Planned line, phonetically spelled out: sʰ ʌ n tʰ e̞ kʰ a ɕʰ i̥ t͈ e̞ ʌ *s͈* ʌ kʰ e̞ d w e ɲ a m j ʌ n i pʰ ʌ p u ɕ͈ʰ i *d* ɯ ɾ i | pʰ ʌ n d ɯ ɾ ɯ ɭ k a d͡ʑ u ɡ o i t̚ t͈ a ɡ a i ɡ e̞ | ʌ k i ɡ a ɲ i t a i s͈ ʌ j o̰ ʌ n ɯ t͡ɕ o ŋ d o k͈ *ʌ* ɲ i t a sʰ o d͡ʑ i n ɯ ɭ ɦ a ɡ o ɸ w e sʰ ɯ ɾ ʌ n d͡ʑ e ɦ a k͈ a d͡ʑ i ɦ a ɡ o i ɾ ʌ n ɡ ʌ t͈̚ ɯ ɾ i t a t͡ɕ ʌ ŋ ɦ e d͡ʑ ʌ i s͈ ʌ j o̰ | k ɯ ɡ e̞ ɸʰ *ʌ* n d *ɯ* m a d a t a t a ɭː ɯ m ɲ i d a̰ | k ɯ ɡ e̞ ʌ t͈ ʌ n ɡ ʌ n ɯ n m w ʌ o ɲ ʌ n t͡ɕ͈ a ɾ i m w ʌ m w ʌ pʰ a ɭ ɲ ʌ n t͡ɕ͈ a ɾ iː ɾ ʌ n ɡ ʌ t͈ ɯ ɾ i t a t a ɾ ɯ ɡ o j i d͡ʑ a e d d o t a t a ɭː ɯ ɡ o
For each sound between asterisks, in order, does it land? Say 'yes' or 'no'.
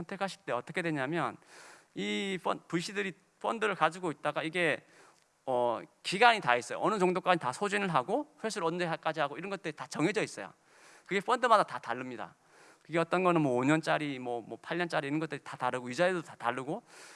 no, yes, no, yes, yes

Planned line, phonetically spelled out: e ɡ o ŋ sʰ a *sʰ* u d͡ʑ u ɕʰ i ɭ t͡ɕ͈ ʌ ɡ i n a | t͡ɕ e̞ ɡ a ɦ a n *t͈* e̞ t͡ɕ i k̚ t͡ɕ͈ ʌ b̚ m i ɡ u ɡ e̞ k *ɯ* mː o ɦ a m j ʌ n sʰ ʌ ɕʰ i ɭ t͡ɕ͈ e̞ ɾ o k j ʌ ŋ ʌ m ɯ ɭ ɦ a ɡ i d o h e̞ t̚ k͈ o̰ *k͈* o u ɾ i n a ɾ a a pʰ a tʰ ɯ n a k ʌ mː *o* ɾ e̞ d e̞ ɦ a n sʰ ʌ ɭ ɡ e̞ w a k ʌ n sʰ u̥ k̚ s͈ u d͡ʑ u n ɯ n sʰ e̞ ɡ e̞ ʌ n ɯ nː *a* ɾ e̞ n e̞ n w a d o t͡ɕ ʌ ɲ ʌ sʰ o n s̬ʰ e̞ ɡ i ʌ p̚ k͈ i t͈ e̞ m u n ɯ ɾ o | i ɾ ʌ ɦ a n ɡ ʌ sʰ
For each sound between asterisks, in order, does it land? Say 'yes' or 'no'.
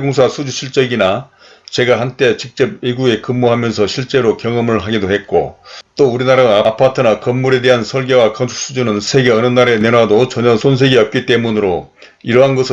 yes, yes, yes, no, no, yes

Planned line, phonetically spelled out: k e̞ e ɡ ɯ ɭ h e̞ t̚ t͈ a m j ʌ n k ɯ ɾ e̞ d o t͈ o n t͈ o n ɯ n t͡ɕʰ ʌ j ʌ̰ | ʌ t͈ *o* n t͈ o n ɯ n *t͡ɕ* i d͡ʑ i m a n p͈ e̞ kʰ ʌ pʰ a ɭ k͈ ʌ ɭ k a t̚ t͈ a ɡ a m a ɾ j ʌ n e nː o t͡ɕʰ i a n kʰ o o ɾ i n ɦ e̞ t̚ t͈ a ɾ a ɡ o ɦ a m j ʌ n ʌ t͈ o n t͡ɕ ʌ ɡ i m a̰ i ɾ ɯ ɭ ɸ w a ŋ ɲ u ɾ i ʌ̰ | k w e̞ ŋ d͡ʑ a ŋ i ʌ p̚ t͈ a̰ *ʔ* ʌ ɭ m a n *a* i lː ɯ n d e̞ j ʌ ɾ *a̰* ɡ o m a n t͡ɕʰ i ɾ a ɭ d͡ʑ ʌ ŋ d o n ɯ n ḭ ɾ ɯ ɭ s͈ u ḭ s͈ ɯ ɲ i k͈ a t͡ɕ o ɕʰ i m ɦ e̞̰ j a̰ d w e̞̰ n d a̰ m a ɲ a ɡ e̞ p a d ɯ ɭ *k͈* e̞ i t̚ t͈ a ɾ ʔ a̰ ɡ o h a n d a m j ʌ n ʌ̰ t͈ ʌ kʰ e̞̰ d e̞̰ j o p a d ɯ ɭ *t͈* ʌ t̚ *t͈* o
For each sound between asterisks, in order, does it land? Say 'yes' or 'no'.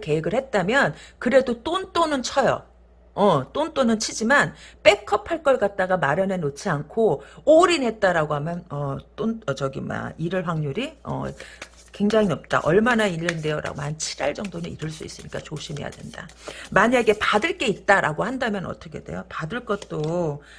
yes, no, yes, yes, yes, yes, no, yes

